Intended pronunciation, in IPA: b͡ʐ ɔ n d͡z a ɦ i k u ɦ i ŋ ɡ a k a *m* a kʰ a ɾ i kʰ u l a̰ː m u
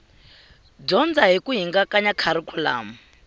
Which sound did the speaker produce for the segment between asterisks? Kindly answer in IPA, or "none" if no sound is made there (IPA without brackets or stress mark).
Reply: ɲ